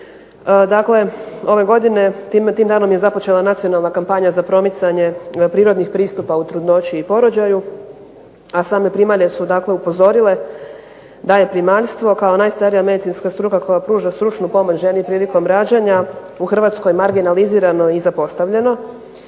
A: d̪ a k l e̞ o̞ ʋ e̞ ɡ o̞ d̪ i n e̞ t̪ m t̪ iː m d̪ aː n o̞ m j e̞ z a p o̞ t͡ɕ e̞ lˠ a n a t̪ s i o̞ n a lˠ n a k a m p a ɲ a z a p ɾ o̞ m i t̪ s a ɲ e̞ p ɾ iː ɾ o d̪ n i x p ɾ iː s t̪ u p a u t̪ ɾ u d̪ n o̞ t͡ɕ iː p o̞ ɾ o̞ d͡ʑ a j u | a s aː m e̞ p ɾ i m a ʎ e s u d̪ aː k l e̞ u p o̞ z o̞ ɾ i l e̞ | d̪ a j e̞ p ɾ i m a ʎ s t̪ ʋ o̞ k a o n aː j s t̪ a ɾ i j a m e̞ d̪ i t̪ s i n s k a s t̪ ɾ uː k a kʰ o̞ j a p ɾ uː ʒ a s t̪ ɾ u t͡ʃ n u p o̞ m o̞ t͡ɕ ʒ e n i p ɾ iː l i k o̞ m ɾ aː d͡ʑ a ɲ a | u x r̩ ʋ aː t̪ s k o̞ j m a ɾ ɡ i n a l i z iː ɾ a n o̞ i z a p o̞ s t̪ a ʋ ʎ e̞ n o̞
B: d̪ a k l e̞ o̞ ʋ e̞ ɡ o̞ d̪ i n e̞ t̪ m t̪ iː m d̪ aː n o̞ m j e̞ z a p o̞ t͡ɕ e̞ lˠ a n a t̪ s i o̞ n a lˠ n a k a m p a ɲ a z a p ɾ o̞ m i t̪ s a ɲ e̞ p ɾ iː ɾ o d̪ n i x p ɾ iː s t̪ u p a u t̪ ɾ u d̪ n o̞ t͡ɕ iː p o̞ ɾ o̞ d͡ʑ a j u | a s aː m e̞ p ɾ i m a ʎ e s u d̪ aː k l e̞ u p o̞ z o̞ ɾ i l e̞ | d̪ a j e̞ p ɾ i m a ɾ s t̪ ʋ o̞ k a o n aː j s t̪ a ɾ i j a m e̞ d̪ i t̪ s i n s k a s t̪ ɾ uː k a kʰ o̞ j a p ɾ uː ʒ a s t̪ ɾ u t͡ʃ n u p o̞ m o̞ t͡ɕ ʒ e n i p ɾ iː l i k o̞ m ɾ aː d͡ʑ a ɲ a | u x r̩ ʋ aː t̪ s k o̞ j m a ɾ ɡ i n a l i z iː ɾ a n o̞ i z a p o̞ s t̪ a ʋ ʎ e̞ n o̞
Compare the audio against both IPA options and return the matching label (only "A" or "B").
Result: A